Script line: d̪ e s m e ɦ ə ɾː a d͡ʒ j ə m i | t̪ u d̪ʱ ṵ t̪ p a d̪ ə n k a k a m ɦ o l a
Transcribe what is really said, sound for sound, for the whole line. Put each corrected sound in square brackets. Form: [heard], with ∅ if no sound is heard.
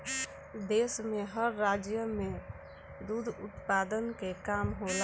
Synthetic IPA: d̪ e s m e ɦ ə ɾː a d͡ʒ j ə m [e] | [d̪] u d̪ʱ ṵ t̪ p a d̪ ə n k [e] k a m ɦ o l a